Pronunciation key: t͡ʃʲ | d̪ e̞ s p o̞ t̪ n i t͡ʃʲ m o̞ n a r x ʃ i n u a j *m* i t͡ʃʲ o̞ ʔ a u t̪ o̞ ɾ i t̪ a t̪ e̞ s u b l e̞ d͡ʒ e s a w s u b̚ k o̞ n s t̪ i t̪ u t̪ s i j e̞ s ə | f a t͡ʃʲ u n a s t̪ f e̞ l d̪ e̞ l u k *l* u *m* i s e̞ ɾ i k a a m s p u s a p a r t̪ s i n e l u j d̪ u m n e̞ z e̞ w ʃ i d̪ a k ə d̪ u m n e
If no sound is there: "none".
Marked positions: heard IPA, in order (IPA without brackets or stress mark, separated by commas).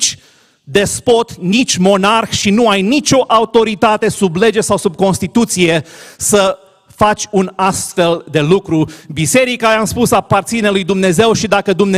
n, ɾ, b